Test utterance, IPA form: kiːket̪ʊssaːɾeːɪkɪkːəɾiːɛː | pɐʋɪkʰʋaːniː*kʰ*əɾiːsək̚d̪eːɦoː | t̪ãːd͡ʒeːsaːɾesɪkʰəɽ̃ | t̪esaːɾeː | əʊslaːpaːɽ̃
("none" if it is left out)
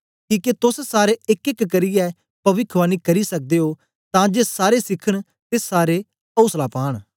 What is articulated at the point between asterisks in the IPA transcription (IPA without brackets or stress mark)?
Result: k